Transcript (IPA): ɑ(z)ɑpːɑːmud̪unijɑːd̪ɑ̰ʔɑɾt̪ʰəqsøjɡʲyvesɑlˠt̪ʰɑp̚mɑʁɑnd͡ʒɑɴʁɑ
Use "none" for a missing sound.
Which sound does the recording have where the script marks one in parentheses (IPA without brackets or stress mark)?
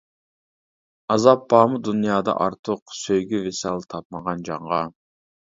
z